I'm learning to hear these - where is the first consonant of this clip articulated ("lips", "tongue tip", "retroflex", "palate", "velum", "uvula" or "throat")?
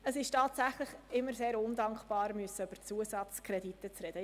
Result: tongue tip